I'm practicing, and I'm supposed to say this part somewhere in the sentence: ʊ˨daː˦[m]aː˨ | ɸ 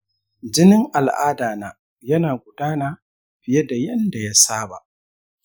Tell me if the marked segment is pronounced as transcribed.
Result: no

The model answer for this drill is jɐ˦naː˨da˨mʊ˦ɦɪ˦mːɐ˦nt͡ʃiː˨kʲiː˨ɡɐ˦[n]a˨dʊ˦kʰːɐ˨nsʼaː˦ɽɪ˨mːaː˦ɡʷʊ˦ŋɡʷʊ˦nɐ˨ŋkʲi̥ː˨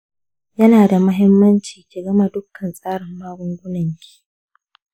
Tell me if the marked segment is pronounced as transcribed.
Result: no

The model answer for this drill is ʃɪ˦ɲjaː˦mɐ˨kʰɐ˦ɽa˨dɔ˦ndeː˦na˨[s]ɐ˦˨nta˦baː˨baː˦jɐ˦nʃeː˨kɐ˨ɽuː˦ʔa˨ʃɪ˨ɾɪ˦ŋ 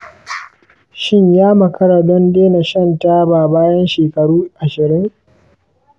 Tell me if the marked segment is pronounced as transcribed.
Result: no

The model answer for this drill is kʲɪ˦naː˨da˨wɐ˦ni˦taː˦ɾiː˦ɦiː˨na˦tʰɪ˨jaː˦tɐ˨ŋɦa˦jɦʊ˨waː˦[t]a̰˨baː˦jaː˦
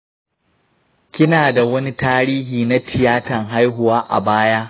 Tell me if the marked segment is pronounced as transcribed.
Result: no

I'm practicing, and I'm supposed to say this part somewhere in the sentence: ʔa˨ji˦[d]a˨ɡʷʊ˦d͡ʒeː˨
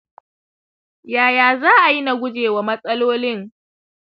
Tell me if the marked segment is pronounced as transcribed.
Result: no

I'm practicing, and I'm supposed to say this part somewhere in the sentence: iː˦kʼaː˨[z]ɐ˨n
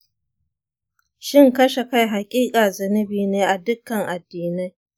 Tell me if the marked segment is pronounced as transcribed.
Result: yes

